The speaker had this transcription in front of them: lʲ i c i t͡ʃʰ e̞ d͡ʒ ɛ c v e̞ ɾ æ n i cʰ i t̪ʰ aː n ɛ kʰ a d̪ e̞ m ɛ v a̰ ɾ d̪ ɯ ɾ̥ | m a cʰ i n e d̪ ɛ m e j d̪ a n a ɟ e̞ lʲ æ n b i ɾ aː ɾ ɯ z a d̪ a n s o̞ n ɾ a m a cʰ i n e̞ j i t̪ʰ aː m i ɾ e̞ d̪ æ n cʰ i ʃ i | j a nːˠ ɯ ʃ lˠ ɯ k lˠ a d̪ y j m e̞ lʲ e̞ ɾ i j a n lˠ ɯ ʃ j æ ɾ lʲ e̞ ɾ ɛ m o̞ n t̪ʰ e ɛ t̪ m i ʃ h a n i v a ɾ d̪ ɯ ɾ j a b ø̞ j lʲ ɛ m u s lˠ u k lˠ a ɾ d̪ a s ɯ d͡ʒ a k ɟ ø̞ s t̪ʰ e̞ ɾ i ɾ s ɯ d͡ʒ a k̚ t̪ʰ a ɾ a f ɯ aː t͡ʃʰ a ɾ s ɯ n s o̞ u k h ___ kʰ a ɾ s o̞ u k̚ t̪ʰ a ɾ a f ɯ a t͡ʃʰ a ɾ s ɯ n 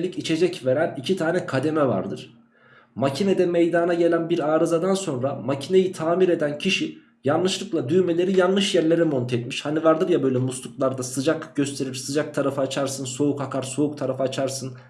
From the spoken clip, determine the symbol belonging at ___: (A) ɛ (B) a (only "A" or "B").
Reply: B